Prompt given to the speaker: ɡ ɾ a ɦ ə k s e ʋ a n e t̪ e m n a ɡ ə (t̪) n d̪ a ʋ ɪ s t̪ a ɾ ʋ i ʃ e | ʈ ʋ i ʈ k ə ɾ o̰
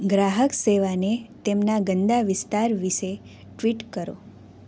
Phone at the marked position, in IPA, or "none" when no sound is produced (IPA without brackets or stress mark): none